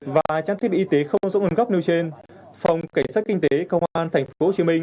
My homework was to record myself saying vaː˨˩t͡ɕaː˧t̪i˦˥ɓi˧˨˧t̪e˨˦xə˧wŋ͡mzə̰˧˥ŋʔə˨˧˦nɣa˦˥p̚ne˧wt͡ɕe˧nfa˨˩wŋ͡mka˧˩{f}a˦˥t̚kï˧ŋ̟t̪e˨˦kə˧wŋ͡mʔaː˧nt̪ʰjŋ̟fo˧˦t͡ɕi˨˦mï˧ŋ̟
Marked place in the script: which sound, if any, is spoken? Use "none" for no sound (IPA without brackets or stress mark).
s